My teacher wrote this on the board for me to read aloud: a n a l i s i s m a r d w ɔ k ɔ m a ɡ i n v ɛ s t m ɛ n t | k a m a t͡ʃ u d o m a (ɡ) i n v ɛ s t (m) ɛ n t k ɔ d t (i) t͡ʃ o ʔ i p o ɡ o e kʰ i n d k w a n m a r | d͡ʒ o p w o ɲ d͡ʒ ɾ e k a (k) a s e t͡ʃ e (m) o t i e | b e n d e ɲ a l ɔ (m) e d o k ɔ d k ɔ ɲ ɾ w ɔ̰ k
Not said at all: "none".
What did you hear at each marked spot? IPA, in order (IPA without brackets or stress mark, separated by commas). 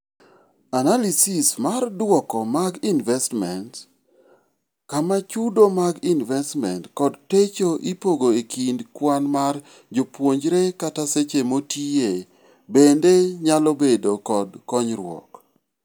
ɡ, m, e, t, m, b